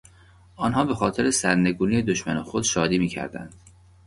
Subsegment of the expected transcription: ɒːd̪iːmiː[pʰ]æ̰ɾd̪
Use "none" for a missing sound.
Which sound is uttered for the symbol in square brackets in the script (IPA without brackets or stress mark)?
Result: cʰ